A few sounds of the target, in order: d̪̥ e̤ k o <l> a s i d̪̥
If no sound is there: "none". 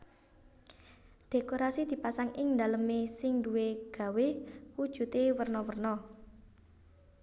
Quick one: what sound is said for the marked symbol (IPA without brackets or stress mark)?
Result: ɾ